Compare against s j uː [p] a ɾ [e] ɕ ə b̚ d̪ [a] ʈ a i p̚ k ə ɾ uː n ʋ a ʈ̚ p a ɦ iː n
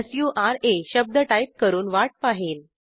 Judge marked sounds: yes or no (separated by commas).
no, yes, no